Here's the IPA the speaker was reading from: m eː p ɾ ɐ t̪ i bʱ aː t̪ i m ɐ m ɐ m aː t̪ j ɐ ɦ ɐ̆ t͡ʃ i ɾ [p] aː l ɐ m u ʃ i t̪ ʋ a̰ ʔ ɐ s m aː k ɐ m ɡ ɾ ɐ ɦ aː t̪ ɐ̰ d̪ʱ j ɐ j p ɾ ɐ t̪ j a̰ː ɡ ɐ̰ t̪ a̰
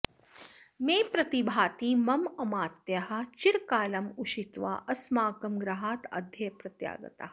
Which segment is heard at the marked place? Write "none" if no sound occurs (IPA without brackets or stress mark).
k